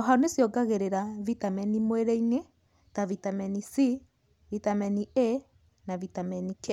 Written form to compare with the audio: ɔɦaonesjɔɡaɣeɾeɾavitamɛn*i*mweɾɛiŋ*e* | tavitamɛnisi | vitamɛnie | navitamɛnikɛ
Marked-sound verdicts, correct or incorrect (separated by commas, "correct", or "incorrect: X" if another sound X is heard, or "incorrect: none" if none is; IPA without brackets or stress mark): correct, correct